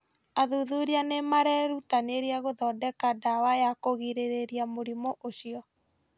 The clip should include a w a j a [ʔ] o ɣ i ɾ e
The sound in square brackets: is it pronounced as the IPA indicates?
no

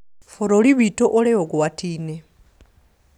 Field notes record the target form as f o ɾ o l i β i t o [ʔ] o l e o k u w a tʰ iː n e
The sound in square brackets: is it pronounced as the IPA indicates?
yes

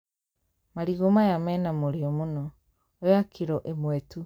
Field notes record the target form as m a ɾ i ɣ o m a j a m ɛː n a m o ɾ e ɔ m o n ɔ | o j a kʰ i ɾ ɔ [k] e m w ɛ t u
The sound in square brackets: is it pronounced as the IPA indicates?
no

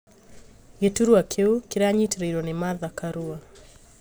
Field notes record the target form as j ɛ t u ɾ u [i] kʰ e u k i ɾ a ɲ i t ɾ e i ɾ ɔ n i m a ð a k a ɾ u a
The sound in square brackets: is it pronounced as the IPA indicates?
no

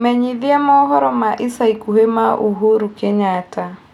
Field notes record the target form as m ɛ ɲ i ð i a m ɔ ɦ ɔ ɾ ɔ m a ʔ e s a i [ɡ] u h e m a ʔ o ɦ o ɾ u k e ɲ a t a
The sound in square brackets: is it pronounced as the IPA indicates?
no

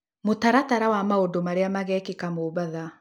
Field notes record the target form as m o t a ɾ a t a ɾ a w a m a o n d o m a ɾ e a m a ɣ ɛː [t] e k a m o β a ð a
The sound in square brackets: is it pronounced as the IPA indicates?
no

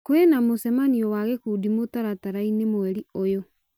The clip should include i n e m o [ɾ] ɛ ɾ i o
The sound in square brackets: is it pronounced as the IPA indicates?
no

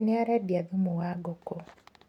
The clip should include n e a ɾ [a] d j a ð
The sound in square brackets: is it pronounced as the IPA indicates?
yes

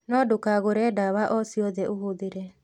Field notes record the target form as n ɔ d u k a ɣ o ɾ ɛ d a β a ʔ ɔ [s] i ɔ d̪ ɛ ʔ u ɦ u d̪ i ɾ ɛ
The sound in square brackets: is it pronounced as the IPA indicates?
yes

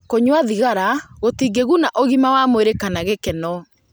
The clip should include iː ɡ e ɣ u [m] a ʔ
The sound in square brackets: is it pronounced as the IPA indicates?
no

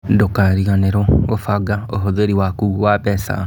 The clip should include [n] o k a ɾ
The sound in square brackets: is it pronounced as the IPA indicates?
no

